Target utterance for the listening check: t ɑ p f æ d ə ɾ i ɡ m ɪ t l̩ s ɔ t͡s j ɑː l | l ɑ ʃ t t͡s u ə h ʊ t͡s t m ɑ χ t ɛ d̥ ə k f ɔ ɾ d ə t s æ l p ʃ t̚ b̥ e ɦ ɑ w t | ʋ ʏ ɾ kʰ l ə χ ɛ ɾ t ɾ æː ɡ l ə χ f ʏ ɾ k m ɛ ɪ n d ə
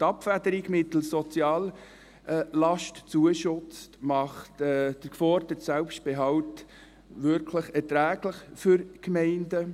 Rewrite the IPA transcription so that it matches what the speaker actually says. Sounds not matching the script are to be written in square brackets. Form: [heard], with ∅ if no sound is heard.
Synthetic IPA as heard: t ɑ p f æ d ə ɾ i ɡ m ɪ t l̩ s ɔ t͡s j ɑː l | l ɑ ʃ t t͡s u ə [ʃ] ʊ t͡s t m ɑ χ t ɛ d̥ ə k f ɔ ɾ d ə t s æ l p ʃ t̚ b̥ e ɦ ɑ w t | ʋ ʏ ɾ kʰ l ə χ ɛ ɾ t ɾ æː ɡ l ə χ f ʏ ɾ k m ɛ ɪ n d ə

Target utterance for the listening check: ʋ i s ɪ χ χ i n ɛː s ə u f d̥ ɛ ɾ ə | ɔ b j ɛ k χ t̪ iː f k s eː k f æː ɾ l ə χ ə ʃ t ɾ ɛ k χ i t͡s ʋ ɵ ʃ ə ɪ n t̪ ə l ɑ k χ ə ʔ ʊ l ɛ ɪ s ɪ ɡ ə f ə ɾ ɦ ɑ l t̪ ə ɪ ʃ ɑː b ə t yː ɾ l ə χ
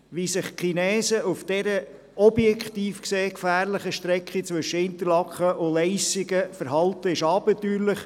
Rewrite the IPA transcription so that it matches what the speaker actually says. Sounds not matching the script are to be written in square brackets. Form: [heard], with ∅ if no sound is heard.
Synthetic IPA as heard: ʋ i s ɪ χ χ i n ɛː s ə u f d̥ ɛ ɾ ə | ɔ b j ɛ k χ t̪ iː f k s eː k f æː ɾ l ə χ ə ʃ t ɾ ɛ k χ i t͡s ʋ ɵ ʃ ə ɪ n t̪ ə l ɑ k χ ə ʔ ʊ l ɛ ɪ s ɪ ɡ ə f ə ɾ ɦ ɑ l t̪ ə ɪ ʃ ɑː b ə t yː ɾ l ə χ

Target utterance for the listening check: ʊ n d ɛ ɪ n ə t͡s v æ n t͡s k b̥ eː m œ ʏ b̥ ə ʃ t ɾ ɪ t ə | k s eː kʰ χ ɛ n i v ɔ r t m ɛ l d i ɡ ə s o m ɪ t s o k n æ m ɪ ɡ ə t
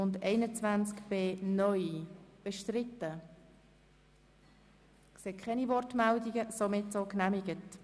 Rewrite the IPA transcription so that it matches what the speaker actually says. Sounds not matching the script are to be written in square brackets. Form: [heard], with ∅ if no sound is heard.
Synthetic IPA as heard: ʊ n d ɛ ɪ n ə t͡s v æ n t͡s k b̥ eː [n] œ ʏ b̥ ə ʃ t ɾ ɪ t ə | k s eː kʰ χ ɛ n i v ɔ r t m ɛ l d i ɡ ə s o m ɪ t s o k n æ m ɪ ɡ ə t

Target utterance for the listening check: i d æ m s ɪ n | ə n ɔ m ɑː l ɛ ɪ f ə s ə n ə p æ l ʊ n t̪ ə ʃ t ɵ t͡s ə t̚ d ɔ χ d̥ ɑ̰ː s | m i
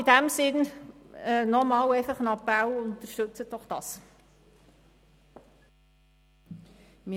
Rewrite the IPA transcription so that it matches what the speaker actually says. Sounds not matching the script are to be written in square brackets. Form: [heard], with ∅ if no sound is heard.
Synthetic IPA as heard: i d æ m s ɪ n | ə n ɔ m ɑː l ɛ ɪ f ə [χ] ə n [ɑ] p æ l ʊ n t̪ ə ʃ t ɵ t͡s ə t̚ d ɔ χ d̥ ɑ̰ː s | m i

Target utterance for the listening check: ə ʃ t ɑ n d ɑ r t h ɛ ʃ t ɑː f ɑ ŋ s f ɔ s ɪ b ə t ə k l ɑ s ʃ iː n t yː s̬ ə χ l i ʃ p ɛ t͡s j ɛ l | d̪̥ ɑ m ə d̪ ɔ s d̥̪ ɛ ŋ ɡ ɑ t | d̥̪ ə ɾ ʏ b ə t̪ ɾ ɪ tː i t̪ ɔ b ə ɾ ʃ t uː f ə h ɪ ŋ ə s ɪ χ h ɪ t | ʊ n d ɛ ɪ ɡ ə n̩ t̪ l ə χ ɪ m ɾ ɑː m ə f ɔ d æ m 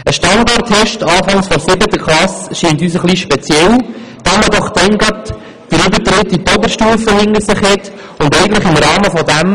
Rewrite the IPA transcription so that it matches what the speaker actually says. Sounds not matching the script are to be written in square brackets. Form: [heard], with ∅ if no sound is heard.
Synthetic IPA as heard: ə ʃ t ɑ n d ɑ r t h ɛ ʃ t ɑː f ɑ ŋ s f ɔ s ɪ b ə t ə k l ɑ s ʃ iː n t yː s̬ ə χ l i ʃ p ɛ t͡s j ɛ l | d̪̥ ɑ m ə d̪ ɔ [χ] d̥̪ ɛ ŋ ɡ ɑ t | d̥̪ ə ɾ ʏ b ə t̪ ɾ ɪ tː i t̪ ɔ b ə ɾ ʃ t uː f ə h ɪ ŋ ə s ɪ χ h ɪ t | ʊ n d ɛ ɪ ɡ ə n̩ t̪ l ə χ ɪ m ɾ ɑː m ə f ɔ d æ m

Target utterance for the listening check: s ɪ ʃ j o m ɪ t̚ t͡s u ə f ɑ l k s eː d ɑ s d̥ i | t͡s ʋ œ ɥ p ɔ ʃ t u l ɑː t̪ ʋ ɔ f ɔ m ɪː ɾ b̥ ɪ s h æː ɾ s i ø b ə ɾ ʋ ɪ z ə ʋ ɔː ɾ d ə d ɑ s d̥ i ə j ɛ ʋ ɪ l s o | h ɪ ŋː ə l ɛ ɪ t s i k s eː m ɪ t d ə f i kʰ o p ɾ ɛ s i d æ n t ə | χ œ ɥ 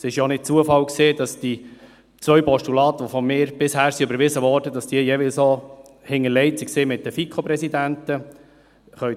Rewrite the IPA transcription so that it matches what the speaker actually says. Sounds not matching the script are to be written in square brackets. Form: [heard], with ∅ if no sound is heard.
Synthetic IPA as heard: s ɪ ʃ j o [n] ɪ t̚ t͡s u ə f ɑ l k s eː d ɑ s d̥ i | t͡s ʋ œ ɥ p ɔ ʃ t u l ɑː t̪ ʋ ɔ f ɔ m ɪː ɾ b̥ ɪ s h æː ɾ s i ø b ə ɾ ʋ ɪ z ə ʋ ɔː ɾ d ə d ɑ s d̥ i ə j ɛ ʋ ɪ l s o | h ɪ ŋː ə l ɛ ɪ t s i k s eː m ɪ t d ə f i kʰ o p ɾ ɛ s i d æ n t ə | χ œ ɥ

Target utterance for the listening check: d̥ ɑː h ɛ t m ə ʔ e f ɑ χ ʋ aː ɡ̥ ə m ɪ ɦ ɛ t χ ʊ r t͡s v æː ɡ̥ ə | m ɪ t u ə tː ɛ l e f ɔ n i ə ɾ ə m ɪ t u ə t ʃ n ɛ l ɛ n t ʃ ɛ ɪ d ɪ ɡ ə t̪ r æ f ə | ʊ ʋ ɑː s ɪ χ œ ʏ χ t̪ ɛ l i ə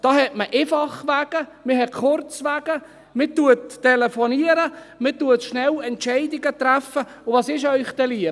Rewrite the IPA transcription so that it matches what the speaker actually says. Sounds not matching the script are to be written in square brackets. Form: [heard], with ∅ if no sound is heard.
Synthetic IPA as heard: d̥ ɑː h ɛ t m ə ʔ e f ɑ χ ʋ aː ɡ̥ ə m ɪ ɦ ɛ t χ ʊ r t͡s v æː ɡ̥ ə | m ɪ t u ə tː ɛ l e f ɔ n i ə ɾ ə m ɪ t u ə t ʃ n ɛ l ɛ n t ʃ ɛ ɪ d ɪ ɡ ə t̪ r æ f ə | ʊ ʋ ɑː s ɪ [ʃ] œ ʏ χ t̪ ɛ l i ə

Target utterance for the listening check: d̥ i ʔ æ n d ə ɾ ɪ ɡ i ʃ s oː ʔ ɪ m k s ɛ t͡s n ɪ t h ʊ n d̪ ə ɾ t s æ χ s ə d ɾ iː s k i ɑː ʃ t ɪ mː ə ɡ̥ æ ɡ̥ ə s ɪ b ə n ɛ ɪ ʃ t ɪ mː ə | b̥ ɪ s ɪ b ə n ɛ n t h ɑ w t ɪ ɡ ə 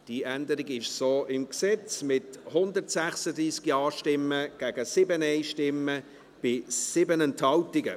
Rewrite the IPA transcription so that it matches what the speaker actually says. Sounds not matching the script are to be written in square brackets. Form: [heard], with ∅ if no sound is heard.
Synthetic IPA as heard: d̥ i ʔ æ n d ə ɾ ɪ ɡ [ɪ] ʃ s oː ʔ ɪ m k s ɛ t͡s [m] ɪ t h ʊ n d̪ ə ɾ t s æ χ s ə d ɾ iː s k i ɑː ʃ t ɪ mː ə ɡ̥ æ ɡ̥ ə s ɪ b ə n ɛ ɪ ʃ t ɪ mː ə | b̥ ɪ s ɪ b ə n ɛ n t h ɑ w t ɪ ɡ ə

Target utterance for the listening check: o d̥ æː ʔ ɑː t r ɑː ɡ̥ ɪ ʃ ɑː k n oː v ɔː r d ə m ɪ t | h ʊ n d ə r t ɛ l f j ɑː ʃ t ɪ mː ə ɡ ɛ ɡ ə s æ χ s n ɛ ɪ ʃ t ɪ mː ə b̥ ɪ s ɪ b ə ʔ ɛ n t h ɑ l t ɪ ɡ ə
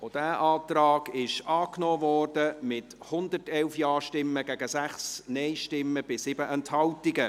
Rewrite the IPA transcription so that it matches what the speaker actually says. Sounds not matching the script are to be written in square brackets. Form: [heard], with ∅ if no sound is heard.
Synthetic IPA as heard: o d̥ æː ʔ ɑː t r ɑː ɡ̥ ɪ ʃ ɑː k n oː v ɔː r d ə m ɪ t | h ʊ n d ə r t ɛ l f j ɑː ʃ t ɪ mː ə ɡ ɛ ɡ ə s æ χ s n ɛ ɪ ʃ t ɪ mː ə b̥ ɪ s ɪ b ə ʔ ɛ n t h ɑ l t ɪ ɡ ə

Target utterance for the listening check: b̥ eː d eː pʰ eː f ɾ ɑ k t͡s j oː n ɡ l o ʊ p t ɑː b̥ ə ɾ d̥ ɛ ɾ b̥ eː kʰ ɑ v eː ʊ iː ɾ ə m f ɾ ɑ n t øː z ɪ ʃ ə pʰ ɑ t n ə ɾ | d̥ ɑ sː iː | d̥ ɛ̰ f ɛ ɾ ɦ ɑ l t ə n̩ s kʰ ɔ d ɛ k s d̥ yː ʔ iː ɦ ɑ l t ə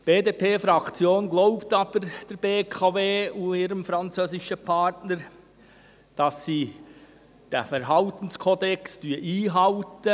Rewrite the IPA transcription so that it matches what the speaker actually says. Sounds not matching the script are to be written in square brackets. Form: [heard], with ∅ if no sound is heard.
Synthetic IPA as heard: b̥ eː d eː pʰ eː f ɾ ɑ k t͡s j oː n ɡ l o ʊ p t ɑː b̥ ə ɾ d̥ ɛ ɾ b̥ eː kʰ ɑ v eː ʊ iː ɾ ə m f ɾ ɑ n [t͡s] øː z ɪ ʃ ə pʰ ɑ t n ə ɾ | d̥ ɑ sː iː | d̥ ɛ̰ f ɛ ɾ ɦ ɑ l t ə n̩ s kʰ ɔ d ɛ k s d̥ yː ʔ iː ɦ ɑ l t ə

